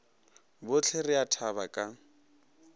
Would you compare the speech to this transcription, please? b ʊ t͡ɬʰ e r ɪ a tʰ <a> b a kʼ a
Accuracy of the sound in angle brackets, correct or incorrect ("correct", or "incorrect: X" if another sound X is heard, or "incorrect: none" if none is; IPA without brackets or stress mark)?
correct